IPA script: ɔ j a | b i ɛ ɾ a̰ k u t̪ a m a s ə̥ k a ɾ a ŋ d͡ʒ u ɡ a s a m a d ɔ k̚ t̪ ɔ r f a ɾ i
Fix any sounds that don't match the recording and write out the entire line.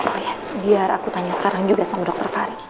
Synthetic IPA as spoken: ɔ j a | b i a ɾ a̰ k u t̪ a ɲ a s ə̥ k a ɾ a ŋ d͡ʒ u ɡ a s a m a d ɔ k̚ t̪ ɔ r f a ɾ i